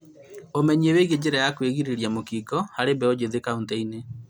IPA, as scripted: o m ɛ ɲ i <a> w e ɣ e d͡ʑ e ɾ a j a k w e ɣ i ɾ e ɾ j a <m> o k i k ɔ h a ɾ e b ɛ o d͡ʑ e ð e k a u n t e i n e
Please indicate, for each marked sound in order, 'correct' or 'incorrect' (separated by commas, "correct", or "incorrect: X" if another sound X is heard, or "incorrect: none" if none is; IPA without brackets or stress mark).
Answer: incorrect: e, correct